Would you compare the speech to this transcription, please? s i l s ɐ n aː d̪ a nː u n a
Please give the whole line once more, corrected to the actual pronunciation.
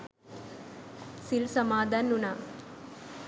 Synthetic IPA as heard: s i l s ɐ m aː d̪ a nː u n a